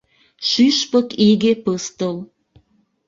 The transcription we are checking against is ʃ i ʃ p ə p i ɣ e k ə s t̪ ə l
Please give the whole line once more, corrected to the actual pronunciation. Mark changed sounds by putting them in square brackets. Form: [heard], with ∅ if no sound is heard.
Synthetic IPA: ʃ [y] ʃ p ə [k] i ɣ e [p] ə s t̪ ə l